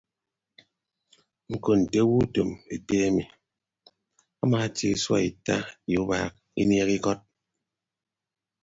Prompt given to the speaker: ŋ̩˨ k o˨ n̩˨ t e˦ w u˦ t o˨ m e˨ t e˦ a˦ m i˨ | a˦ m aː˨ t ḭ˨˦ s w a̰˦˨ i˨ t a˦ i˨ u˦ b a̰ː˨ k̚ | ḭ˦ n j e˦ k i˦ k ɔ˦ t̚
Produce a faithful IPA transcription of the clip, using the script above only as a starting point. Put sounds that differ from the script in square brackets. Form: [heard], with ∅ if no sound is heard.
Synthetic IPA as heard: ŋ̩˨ k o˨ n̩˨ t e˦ w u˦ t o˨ m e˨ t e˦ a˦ m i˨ | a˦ m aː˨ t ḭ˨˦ s w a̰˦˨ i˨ t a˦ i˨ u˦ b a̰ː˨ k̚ | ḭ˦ n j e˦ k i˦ k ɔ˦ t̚